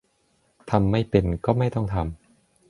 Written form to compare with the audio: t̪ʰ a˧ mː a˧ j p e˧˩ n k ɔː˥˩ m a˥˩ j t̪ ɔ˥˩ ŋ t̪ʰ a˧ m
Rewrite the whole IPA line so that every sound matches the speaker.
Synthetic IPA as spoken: t̪ʰ a˧ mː a˥˩ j p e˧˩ n k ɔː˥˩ m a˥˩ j t̪ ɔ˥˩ ŋ t̪ʰ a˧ m

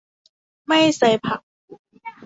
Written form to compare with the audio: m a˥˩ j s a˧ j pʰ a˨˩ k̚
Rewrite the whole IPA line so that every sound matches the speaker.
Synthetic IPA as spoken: m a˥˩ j s a˧ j pʰ a˨˩ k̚

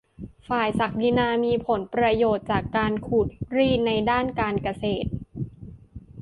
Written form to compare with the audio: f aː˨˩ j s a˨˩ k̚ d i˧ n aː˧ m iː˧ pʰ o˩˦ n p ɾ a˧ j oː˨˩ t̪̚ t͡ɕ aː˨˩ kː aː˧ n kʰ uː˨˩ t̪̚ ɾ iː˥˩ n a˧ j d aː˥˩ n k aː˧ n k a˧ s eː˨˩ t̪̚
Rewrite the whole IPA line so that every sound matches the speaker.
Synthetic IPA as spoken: f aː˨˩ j s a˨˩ k̚ d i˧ n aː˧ m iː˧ pʰ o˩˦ n p ɾ a˧ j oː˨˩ t̪̚ t͡ɕ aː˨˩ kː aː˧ n kʰ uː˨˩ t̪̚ ɾ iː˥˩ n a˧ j d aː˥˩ n k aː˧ n k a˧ s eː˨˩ t̪̚

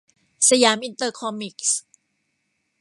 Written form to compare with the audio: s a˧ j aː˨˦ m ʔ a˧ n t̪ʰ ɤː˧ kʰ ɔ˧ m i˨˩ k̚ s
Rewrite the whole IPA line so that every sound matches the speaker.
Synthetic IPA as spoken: s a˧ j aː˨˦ m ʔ i˧ n t̪ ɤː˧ kʰ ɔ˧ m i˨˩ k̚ s

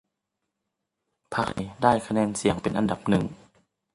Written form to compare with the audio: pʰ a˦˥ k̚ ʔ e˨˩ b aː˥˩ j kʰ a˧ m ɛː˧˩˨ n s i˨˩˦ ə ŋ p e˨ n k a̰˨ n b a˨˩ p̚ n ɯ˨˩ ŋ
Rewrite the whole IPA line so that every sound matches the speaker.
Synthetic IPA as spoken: pʰ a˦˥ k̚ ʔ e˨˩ d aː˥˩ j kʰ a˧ n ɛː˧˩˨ n s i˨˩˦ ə ŋ p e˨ n ʔ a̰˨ n d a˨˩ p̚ n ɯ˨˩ ŋ

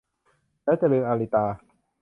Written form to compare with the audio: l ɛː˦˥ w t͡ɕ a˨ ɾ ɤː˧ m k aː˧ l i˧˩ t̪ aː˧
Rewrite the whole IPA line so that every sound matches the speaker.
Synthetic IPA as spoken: l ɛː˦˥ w t͡ɕ a˨ l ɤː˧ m ʔ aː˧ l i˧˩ t̪ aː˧

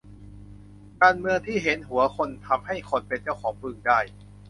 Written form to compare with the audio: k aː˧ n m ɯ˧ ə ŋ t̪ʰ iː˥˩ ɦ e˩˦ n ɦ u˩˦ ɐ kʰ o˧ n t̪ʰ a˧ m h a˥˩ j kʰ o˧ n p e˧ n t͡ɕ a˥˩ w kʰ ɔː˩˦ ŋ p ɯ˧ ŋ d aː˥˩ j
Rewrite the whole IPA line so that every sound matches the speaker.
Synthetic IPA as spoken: k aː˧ n m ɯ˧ ə ŋ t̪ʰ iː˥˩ ɦ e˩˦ n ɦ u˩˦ ɐ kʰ o˧ n t̪ʰ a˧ m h a˥˩ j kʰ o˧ n p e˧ n t͡ɕ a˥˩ w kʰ ɔː˩˦ ŋ p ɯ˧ ŋ d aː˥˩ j

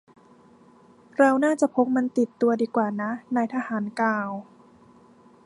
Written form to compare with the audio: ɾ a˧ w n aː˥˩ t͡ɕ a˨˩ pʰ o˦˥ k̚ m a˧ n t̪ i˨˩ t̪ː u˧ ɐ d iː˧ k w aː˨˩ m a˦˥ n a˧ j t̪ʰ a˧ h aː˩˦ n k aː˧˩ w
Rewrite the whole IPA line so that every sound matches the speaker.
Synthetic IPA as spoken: ɾ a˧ w n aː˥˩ t͡ɕ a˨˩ pʰ o˦˥ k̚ m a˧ n t̪ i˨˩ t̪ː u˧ ɐ d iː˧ k w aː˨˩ n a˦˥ n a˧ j t̪ʰ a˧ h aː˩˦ n k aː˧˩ w

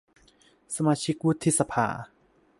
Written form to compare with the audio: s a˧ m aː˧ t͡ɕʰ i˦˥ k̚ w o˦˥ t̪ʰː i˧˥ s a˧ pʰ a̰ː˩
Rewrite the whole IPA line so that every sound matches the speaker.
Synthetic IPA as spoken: s a˧ m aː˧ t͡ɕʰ i˦˥ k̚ w u˦˥ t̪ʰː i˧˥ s a˧ pʰ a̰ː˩

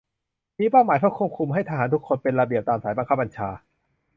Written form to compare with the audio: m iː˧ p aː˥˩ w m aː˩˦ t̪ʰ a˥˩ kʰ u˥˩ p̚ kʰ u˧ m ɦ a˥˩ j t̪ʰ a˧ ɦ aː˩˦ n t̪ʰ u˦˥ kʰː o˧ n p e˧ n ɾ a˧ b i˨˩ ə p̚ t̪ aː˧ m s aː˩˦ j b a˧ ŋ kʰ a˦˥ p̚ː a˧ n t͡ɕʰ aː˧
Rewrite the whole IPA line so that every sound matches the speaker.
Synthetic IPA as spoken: m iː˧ p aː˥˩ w m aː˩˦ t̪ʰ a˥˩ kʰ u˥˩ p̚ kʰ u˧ m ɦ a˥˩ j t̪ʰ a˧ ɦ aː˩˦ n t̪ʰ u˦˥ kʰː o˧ n p e˧ n ɾ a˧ b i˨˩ ə p̚ t̪ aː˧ m s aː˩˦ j b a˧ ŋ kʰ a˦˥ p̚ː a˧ n t͡ɕʰ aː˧

